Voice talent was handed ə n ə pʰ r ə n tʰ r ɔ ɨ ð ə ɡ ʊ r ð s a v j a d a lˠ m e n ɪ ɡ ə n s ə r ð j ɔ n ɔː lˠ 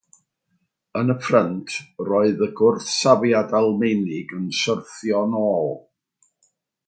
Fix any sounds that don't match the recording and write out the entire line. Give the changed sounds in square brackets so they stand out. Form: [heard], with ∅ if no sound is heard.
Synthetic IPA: ə n ə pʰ r ə n tʰ r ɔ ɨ ð ə ɡ ʊ r [θ] s a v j a d a lˠ m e n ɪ ɡ ə n s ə r [θ] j ɔ n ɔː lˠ